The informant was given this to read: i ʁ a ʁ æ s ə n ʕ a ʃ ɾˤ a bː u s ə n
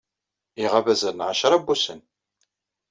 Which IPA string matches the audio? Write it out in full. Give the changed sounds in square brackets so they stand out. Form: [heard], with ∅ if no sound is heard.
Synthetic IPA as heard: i ʁ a [v] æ [z] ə n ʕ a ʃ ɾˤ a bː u s ə n